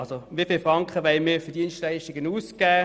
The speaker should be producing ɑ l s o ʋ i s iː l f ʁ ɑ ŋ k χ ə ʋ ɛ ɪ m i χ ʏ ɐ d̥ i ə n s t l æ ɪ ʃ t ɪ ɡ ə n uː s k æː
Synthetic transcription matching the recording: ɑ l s o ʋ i f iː l f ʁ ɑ ŋ k χ ə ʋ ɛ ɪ m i f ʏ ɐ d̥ i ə n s t l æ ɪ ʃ t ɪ ɡ ə n uː s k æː